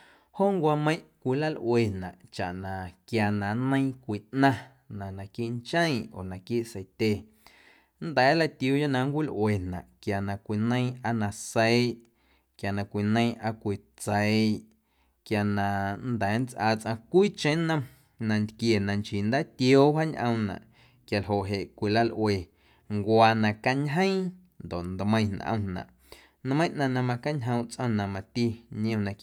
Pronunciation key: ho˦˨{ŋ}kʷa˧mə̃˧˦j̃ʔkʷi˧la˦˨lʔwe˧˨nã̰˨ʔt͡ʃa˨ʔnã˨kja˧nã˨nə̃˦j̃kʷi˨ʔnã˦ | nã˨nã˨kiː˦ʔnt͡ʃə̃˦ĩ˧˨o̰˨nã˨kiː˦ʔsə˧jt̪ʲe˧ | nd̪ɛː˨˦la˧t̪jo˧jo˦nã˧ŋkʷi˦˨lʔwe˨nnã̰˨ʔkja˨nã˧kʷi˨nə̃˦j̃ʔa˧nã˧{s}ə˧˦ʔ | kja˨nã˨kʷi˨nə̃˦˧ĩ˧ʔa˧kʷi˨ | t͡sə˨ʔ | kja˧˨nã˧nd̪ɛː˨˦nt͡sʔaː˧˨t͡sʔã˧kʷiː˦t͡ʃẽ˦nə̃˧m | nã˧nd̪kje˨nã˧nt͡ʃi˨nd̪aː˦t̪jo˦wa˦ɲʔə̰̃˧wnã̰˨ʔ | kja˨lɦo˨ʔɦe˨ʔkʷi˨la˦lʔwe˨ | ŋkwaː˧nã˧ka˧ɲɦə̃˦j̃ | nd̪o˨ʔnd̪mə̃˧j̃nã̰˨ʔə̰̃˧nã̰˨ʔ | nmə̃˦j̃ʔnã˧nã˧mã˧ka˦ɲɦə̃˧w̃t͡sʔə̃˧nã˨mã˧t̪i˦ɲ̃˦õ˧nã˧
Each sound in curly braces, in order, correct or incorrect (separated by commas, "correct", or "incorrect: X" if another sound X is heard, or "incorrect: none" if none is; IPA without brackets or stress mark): correct, correct